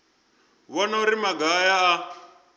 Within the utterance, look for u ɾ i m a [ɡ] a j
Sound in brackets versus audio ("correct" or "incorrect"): correct